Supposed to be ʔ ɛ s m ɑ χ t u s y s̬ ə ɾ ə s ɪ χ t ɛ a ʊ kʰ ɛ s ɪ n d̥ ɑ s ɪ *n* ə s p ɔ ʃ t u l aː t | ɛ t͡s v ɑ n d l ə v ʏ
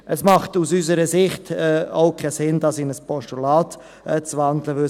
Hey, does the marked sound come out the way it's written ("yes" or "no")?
yes